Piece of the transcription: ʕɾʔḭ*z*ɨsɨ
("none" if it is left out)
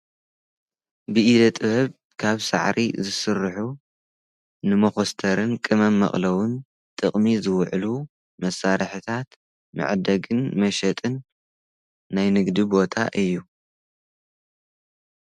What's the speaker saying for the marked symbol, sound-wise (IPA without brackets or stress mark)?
z